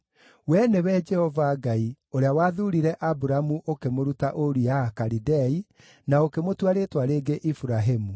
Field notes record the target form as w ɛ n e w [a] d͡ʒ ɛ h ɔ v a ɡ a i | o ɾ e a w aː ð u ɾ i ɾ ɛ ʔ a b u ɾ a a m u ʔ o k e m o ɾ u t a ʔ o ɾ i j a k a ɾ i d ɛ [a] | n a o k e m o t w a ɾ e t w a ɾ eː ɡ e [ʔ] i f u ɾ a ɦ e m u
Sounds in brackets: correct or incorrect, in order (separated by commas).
incorrect, incorrect, correct